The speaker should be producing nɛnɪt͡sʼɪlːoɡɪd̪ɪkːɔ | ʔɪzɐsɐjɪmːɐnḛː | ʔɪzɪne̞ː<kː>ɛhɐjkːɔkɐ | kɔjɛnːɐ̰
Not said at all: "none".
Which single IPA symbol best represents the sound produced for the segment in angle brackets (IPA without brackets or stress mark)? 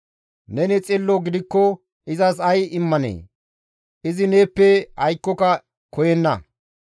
pː